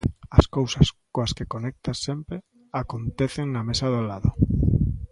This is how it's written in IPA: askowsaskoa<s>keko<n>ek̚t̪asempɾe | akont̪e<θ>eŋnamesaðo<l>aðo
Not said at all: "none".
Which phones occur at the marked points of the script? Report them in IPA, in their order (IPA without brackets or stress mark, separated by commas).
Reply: s, n, θ, l